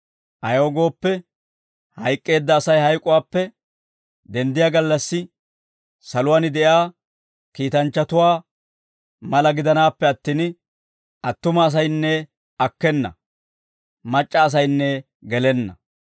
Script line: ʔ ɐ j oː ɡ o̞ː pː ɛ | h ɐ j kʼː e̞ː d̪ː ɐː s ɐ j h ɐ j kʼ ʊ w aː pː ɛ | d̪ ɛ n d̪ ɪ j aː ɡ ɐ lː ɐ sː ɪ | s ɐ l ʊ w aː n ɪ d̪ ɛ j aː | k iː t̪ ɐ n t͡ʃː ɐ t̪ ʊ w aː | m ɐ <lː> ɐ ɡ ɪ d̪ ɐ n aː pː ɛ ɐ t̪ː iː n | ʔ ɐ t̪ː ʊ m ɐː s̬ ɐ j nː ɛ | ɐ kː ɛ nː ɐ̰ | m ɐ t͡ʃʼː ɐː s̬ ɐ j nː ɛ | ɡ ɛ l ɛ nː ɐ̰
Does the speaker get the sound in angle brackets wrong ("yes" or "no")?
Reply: yes